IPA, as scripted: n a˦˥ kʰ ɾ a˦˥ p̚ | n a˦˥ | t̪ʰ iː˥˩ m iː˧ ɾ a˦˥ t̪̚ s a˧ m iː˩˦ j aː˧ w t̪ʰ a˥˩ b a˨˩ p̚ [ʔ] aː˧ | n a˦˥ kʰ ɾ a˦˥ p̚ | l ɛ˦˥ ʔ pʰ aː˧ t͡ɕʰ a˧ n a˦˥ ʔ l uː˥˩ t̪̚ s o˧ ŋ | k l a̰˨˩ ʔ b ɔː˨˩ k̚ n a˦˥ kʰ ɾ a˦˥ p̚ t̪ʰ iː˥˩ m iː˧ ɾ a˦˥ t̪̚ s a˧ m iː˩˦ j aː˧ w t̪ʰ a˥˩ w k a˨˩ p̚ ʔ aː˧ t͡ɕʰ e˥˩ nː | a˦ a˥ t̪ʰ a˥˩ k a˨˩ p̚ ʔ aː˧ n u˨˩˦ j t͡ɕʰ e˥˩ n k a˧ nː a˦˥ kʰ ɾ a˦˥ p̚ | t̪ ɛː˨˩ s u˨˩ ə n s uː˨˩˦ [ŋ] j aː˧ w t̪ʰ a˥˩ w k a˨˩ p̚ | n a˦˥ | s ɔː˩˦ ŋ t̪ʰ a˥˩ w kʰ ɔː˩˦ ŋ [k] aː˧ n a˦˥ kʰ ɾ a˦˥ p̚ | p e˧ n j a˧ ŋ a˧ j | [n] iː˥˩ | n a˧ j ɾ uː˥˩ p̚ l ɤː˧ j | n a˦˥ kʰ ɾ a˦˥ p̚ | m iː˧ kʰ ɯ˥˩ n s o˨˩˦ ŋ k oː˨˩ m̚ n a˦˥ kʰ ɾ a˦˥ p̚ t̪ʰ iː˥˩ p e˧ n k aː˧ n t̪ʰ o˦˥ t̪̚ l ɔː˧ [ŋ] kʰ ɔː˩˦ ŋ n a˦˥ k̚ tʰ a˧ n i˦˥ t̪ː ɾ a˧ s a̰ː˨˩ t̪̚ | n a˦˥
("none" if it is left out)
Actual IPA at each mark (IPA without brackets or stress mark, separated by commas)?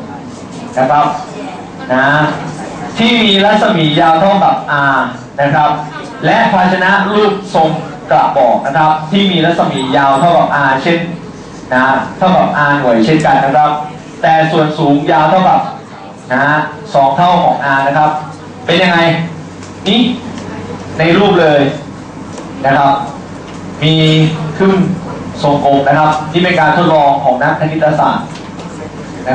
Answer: ʔ, ŋ, ʔ, n, ŋ